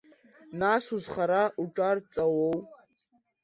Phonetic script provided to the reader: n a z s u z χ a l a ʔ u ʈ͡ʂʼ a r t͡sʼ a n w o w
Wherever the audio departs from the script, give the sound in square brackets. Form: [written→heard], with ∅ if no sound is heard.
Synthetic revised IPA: n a [z→∅] s u z χ a [l→ɾ] a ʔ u ʈ͡ʂʼ a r t͡sʼ a [n→∅] w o w